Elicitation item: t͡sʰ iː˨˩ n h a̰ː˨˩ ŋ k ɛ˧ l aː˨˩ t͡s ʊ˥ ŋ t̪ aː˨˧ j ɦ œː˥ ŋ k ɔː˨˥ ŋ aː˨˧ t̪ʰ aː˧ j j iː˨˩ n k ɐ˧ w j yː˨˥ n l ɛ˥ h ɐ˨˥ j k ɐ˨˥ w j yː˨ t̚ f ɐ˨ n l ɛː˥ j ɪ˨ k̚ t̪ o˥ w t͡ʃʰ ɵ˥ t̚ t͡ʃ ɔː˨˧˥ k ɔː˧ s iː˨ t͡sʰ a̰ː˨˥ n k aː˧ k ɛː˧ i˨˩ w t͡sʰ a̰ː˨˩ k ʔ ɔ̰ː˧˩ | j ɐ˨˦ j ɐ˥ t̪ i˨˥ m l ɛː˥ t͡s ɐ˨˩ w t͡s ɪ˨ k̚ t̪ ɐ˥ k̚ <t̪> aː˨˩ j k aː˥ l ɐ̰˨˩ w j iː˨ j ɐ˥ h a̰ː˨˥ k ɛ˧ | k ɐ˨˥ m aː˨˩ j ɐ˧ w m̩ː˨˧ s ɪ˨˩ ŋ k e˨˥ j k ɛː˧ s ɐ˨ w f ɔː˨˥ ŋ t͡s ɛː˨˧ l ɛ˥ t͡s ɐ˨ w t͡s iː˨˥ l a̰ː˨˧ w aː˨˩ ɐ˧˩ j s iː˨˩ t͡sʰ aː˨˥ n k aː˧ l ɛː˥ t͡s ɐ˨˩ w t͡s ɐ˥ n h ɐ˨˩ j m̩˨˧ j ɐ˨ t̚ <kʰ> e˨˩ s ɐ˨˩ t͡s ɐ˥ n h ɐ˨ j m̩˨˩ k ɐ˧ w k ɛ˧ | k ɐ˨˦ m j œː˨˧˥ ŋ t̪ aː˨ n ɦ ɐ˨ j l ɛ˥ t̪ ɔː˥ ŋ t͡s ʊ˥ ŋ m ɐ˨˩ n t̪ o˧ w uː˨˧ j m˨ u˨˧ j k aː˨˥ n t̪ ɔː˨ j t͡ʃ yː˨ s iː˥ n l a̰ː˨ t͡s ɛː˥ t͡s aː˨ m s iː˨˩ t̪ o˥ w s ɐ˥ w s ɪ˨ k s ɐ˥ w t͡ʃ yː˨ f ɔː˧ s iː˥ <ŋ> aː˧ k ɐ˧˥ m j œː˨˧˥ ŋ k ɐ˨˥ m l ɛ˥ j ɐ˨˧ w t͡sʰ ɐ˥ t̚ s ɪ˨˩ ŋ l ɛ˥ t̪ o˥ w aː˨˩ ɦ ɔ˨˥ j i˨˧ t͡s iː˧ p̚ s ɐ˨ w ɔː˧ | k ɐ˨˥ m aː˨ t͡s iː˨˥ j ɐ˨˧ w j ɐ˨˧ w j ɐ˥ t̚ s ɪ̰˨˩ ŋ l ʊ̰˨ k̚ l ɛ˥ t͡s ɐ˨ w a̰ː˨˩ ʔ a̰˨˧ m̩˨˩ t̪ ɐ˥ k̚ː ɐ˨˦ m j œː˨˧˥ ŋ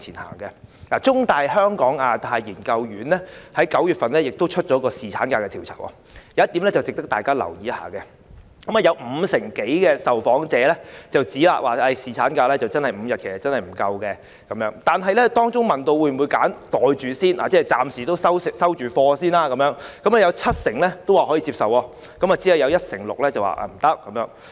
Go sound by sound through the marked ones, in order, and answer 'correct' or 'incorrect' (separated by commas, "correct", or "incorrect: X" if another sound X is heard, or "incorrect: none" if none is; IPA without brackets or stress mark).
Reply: correct, correct, incorrect: n